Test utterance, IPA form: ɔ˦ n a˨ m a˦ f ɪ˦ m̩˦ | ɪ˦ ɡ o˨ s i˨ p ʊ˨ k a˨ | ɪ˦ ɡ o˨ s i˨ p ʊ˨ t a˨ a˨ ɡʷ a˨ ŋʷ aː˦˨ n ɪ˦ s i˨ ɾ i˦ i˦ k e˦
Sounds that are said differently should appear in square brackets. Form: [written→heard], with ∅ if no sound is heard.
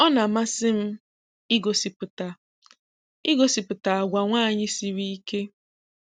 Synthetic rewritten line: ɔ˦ n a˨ m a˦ [f→s] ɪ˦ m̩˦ | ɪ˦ ɡ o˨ s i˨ p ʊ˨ [k→t] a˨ | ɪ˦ ɡ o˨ s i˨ p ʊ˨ t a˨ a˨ ɡʷ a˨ ŋʷ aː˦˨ [n→ɲ] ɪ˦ s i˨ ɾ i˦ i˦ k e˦